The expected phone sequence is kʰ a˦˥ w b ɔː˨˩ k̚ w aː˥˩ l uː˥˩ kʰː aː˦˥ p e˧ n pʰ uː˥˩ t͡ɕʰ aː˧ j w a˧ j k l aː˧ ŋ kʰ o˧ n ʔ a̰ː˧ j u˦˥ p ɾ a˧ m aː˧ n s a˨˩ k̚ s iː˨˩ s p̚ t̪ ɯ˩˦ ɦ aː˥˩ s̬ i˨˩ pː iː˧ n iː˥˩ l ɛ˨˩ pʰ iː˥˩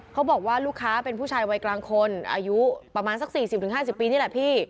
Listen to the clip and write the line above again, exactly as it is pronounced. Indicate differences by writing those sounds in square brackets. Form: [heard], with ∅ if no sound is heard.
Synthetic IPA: kʰ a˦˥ w b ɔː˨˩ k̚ w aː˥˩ l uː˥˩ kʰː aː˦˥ p e˧ n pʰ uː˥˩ t͡ɕʰ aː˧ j w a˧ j k l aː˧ ŋ kʰ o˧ n ʔ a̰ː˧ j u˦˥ p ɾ a˧ m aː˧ n s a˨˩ k̚ s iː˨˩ s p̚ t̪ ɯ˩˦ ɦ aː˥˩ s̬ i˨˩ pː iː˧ n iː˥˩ l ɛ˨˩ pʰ iː˥˩